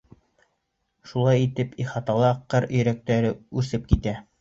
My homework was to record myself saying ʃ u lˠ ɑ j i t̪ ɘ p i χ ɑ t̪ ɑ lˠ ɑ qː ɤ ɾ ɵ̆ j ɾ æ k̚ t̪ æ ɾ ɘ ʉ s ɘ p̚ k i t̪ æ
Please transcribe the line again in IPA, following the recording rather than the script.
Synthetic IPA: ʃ u lˠ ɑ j i t̪ ɘ p i χ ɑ t̪ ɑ lˠ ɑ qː ɤ ɾ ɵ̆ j ɾ æ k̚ t̪ æ ɾ ɘ ʉ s ɘ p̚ k i t̪ æ